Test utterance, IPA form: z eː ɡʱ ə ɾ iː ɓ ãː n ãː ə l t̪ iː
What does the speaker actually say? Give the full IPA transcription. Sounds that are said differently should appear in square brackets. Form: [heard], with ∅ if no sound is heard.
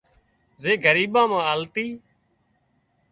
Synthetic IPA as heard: z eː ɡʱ ə ɾ iː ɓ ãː [m] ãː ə l t̪ iː